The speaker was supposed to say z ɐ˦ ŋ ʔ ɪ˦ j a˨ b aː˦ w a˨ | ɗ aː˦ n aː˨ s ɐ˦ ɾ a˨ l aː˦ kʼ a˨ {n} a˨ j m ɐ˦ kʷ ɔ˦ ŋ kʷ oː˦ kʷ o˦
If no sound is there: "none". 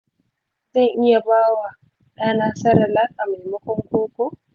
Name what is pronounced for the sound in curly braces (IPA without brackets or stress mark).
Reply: m